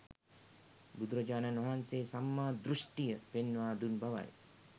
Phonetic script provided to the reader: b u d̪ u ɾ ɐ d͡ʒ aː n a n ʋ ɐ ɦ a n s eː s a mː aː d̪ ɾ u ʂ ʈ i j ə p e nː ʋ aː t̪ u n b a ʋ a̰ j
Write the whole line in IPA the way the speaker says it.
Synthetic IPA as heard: b u d̪ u ɾ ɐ d͡ʒ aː n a n ʋ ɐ ɦ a n s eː s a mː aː d̪ ɾ u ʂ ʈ i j ə p e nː ʋ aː d̪ u n b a ʋ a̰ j